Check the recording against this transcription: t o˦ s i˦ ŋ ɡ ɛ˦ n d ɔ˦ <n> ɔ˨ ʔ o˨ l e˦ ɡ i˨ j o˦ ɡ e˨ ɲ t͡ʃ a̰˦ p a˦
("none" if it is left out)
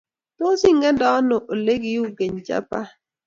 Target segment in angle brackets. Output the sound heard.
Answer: n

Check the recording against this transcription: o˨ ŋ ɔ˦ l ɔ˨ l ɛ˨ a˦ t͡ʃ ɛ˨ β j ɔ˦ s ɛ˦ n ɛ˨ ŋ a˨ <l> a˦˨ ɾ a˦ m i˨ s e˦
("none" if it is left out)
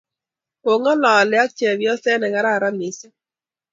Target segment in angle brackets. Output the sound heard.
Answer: ɾ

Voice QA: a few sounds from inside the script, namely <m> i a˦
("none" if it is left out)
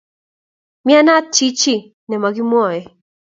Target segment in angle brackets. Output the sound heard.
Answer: m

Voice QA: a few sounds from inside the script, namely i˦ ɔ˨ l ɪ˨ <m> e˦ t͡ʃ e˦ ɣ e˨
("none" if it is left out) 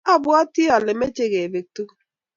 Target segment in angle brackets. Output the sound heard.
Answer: m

